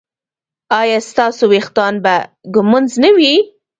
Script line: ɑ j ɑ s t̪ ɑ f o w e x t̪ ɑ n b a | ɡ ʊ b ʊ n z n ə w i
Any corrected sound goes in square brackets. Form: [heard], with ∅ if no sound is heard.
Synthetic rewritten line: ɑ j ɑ s t̪ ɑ [s] o w e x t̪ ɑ n b a | ɡ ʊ [m] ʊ n z n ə w i

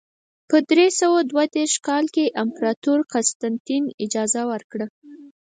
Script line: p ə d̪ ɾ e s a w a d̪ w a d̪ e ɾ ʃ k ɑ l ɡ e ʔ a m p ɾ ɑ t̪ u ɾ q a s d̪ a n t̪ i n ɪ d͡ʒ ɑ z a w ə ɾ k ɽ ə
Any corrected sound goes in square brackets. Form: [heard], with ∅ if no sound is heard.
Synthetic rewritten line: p ə d̪ ɾ e s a w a d̪ w a d̪ e ɾ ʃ k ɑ l [k] e ʔ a m p ɾ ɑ t̪ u ɾ q a s [t̪] a n t̪ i n ɪ d͡ʒ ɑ z a w ə ɾ k ɽ ə

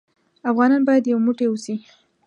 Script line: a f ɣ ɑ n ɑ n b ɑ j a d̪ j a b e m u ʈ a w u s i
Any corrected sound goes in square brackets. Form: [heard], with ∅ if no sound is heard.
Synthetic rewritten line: a f ɣ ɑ n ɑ n b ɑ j a d̪ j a [w] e m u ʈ [e] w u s i

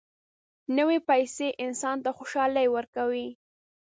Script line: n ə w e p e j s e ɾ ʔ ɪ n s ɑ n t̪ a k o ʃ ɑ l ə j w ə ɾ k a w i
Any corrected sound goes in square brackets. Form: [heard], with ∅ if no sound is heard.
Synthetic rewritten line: n ə w e p [a] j s e [∅] ʔ ɪ n s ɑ n t̪ a [x] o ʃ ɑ l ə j w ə ɾ k a w i

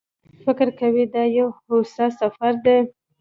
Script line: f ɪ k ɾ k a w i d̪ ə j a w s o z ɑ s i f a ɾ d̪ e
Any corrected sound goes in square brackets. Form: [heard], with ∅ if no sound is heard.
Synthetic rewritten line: f ɪ k ɾ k a w i d̪ [ɑ] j a w [h] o [s] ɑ s [a] f a ɾ d̪ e

